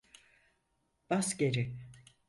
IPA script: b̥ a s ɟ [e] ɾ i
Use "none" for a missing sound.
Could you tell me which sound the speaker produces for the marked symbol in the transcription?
e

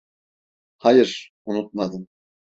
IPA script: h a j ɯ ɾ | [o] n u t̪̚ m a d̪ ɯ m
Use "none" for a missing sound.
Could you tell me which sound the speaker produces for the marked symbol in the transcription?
u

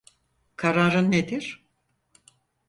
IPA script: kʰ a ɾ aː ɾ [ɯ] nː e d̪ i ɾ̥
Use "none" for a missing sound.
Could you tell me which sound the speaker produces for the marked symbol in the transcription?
ɯ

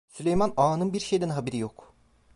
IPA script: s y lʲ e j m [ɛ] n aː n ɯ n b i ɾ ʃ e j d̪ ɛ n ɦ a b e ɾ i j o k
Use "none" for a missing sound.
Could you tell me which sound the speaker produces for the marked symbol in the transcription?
a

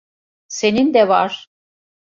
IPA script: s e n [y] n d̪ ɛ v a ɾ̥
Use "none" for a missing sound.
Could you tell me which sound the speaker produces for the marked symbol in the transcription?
i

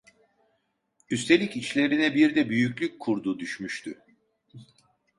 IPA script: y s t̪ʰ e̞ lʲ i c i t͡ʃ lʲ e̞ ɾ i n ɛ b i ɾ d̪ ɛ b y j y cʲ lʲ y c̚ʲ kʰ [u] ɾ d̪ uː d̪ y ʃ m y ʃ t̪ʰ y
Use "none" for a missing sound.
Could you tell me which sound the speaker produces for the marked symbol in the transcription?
u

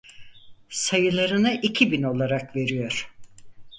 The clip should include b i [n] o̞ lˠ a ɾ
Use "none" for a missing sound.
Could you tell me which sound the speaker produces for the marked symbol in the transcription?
n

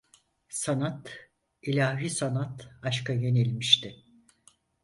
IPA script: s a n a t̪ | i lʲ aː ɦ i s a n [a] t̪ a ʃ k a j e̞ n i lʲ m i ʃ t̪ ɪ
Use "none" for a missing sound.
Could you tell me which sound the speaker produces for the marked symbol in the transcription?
a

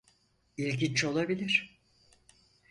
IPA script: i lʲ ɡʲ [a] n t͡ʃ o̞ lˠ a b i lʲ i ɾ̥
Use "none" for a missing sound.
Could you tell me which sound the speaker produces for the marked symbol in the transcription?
i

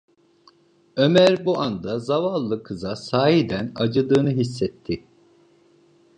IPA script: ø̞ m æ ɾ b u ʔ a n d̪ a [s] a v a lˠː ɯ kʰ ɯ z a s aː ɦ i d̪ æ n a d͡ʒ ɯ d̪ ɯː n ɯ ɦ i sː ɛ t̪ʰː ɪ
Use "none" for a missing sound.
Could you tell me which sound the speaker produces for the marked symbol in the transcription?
z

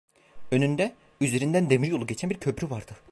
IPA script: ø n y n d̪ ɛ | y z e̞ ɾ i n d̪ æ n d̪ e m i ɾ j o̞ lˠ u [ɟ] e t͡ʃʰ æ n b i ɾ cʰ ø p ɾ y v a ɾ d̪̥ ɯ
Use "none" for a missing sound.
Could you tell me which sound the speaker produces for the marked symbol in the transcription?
ɟ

